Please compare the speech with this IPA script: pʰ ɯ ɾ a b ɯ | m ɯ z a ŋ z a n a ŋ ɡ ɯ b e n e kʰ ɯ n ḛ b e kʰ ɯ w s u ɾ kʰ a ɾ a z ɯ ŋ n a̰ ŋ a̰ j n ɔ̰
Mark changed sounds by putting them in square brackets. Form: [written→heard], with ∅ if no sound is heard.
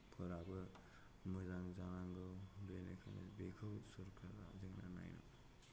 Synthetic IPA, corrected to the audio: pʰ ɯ ɾ a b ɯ | m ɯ z a ŋ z a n a ŋ ɡ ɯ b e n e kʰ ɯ n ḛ b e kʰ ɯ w s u ɾ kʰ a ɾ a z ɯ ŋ n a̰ [ŋ→n] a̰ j n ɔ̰